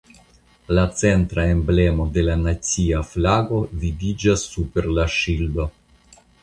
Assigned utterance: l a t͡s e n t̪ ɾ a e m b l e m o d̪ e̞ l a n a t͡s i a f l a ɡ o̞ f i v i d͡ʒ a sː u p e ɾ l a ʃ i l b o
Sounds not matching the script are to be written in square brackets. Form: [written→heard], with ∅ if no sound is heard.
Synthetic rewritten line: l a t͡s e n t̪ ɾ a e m b l e m o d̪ e̞ l a n a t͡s i a f l a ɡ o̞ [f→v] i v i d͡ʒ a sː u p e ɾ l a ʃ i l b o

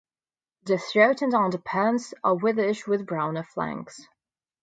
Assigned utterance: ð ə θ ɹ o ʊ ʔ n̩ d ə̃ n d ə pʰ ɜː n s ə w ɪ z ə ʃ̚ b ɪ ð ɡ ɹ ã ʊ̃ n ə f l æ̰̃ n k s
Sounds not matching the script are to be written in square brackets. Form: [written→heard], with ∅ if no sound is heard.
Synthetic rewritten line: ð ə θ ɹ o ʊ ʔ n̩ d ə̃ n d ə pʰ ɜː n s ə w ɪ [z→ð] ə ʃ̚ [b→w] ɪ ð [ɡ→b] ɹ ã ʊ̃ n ə f l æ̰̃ [n→ŋ] k s

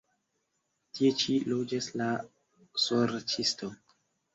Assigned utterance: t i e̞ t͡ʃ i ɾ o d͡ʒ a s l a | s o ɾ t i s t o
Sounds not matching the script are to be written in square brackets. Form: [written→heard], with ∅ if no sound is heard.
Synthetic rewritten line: t i e̞ t͡ʃ i [ɾ→l] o d͡ʒ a s l a | s o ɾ [t→t͡ʃ] i s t o

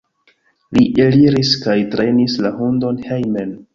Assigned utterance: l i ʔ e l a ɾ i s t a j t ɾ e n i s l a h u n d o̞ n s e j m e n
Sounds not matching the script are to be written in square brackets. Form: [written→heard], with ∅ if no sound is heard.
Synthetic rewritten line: l i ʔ e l [a→i] ɾ i s [t→k] a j t ɾ e n i s l a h u n d o̞ n [s→h] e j m e n

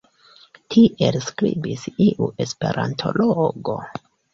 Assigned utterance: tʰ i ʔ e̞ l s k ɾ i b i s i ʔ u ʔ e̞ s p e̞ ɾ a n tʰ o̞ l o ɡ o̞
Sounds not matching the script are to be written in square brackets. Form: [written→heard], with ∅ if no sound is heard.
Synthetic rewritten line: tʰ i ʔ e̞ l s k ɾ i b i s i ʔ u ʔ e̞ s p e̞ ɾ a n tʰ o̞ l o ɡ o̞

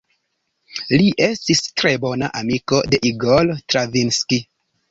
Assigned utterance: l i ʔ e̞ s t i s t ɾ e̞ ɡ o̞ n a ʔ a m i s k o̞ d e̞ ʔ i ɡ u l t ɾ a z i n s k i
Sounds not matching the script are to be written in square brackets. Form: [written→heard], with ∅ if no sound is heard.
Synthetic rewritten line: l i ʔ e̞ s t i s t ɾ e̞ [ɡ→b] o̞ n a ʔ a m i [s→∅] k o̞ d e̞ ʔ i ɡ [u→o] l t ɾ a [z→v] i n s k i

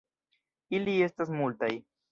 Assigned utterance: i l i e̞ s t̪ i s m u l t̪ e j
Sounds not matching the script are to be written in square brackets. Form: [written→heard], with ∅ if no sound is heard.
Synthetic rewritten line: i l i e̞ s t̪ [i→a] s m u l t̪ [e→a] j

